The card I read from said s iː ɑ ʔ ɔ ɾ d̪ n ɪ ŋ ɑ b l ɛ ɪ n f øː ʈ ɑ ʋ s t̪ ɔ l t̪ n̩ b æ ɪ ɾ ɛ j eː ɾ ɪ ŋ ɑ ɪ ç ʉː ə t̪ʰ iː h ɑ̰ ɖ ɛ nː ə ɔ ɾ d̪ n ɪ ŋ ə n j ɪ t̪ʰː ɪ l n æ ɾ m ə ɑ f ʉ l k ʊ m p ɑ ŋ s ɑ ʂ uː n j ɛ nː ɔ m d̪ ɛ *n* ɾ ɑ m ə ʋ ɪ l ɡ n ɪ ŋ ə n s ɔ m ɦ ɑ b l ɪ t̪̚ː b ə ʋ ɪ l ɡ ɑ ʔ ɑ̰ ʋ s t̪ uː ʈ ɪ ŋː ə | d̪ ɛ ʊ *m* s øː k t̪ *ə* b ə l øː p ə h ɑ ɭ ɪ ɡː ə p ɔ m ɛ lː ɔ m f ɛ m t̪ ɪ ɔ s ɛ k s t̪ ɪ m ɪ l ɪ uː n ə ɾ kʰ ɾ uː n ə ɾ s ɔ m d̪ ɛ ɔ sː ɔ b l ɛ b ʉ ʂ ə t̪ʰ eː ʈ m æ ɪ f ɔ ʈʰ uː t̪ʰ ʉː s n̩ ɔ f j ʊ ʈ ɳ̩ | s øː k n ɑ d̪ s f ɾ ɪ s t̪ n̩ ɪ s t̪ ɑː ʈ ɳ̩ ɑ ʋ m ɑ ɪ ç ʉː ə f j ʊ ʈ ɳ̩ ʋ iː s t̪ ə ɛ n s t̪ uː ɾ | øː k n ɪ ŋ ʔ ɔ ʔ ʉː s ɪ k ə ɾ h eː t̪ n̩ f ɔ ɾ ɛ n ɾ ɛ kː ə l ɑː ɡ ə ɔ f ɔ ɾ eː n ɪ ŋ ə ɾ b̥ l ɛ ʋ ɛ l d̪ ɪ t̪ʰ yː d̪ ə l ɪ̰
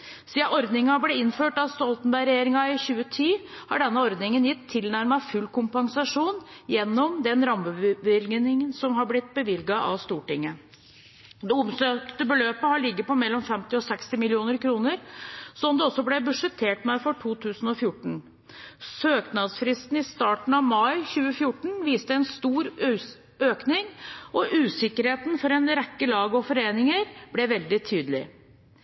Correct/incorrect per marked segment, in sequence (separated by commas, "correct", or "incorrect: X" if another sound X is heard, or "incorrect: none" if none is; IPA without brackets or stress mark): correct, correct, correct